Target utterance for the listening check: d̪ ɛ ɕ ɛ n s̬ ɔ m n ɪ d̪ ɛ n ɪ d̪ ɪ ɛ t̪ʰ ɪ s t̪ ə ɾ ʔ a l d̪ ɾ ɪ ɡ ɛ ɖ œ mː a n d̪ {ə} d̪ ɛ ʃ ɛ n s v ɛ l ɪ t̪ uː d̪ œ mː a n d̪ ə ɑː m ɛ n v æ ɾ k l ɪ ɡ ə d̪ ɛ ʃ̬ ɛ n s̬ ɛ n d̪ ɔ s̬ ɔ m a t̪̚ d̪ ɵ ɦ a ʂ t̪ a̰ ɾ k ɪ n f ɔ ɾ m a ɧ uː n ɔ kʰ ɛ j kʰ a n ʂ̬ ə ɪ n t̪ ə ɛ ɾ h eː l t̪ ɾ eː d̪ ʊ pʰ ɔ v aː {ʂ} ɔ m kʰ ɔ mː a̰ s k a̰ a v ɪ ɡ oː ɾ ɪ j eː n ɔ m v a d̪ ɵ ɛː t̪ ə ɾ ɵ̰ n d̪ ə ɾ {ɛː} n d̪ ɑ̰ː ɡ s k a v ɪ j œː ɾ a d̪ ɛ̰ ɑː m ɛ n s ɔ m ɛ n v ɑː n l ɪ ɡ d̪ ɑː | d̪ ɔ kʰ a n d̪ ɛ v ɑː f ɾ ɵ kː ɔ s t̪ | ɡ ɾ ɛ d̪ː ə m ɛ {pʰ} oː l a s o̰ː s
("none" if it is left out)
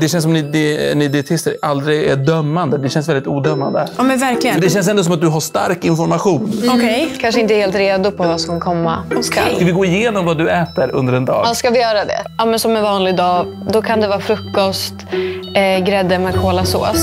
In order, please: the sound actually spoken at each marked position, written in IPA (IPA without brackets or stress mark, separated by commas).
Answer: ə, s, ɛ, kʰ